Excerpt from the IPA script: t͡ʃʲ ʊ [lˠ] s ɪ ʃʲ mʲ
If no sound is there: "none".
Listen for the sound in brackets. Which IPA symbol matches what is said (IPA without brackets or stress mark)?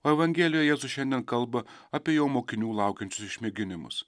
none